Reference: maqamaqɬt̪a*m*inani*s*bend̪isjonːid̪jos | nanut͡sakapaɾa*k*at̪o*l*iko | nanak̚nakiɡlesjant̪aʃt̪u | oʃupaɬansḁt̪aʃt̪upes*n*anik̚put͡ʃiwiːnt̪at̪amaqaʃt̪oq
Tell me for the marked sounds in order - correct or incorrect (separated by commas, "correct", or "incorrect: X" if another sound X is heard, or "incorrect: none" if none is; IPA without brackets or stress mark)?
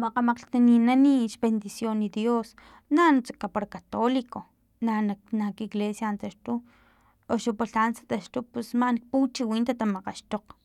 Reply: incorrect: n, incorrect: ʃ, correct, correct, incorrect: m